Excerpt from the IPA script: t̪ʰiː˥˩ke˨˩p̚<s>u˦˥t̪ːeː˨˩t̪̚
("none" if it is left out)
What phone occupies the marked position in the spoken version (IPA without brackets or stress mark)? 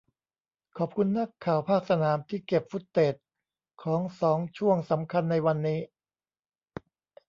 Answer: f